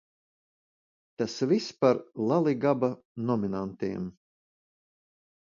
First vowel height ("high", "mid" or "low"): low